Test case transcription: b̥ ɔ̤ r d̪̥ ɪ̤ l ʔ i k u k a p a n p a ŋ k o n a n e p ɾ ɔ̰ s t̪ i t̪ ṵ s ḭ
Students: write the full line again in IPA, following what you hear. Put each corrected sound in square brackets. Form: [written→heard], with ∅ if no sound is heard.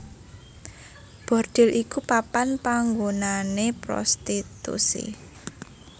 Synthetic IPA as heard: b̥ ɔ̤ r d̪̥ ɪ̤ l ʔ i k u [k→p] a p a n p a ŋ [k→ɡ] o n a n e p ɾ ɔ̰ s t̪ i t̪ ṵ s ḭ